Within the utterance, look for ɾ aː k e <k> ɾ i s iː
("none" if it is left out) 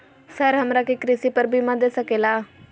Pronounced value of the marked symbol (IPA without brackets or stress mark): k